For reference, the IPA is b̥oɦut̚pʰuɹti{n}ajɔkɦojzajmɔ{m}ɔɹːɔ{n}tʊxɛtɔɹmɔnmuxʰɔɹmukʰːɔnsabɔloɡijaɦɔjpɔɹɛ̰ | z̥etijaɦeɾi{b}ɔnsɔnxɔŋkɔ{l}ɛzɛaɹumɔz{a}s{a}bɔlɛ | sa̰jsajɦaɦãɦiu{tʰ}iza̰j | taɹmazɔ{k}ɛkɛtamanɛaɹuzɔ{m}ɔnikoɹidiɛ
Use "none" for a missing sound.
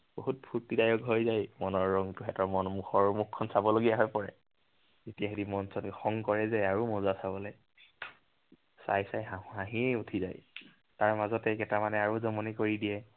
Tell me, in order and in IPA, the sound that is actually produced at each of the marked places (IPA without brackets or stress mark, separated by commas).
d, n, ŋ, m, ɹ, a, a, tʰ, t, m